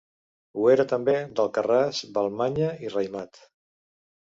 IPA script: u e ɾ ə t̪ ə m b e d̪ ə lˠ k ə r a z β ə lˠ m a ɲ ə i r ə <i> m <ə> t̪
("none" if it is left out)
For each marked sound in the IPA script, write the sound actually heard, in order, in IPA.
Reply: j, a

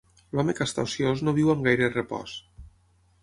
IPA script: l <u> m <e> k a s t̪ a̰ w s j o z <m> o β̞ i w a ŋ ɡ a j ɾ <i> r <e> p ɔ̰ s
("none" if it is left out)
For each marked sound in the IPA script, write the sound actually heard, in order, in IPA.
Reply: ɔ, e, n, e, e

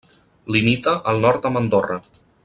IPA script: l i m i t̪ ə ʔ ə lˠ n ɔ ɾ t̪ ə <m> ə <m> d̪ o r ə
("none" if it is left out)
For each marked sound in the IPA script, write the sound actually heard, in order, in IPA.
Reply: m, n

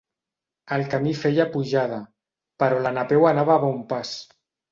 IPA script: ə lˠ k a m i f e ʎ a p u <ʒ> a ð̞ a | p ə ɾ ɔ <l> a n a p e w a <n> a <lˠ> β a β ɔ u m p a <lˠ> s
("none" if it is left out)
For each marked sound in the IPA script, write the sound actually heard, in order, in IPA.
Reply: ʒ, l, n, none, none

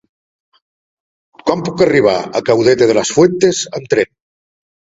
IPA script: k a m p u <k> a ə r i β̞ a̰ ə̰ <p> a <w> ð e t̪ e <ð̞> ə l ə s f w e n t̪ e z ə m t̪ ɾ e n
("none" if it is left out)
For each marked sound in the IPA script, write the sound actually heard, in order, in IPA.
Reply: k, k, w, ð̞

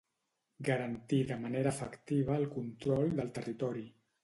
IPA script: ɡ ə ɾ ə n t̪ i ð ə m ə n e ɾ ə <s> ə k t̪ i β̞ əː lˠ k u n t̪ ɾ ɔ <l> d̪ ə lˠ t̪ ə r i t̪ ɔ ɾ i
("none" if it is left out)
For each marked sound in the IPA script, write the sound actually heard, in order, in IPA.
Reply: f, l

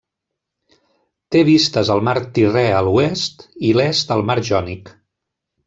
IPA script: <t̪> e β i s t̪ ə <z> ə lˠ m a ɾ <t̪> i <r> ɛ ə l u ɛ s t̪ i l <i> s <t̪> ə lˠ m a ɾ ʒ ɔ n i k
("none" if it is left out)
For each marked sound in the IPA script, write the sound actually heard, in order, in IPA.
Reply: t̪, z, t̪, r, ɛ, t̪

